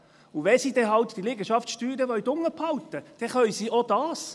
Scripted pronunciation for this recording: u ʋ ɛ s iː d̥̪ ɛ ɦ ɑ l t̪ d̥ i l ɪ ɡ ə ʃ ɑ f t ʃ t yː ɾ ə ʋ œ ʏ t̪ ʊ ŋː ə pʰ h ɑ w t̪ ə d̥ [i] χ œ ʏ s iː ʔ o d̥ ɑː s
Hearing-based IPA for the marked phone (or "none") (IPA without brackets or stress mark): ɛ